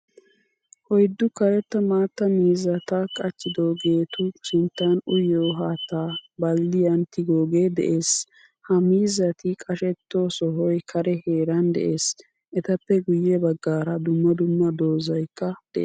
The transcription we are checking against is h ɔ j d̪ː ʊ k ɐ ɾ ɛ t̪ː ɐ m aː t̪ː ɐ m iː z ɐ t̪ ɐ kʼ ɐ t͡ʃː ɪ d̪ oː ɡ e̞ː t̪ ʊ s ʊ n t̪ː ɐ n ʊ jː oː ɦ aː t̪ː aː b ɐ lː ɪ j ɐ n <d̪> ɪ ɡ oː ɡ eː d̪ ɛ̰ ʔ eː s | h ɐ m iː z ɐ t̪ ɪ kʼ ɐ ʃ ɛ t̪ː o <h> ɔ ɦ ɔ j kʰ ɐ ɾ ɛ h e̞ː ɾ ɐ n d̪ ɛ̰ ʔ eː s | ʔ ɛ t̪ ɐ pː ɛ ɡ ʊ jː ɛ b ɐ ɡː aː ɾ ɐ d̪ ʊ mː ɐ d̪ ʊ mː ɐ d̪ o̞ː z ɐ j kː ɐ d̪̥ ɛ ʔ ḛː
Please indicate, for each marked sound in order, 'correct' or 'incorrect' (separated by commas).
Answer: incorrect, incorrect